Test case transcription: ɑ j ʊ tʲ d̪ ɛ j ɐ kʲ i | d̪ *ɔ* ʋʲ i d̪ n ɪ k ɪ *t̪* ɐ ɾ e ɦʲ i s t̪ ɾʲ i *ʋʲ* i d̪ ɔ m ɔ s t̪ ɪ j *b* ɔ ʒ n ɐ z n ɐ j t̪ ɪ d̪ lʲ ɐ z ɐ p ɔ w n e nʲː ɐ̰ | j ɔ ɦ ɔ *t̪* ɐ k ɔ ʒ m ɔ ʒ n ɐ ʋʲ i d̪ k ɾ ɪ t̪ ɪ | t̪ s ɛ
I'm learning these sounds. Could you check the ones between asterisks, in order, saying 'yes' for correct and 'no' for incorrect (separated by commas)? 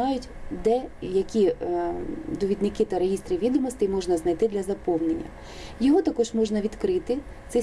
yes, yes, yes, no, yes